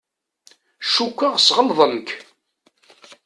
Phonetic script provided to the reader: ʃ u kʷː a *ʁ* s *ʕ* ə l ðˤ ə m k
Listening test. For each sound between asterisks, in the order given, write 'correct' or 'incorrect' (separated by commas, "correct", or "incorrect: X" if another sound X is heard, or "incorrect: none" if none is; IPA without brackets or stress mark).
correct, incorrect: ʁ